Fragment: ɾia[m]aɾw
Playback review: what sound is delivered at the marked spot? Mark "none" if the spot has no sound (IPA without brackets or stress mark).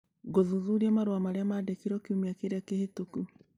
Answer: m